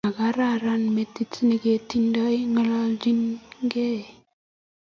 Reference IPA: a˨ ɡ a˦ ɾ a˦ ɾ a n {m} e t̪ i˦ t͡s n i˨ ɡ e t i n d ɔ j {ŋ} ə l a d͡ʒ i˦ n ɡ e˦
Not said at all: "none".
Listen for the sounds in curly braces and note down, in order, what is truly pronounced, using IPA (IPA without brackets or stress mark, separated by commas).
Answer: m, ŋ